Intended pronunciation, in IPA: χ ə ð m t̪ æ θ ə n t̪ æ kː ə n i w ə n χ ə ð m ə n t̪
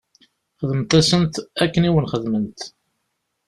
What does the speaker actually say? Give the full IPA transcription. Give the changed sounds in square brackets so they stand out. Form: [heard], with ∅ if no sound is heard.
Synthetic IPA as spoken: χ ə ð m t̪ æ [s] ə n t̪ æ kː ə n i w ə n χ ə ð m ə n t̪